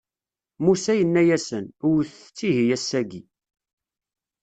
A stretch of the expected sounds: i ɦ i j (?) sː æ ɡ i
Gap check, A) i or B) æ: B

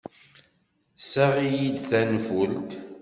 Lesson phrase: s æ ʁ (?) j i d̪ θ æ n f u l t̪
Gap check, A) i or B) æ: A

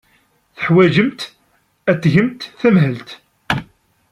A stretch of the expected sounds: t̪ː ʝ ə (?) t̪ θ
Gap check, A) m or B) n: A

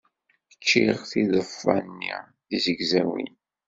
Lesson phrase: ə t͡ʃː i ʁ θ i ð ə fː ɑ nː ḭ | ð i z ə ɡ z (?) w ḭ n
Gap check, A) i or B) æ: B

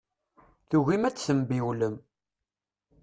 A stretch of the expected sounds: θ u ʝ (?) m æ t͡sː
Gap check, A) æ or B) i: B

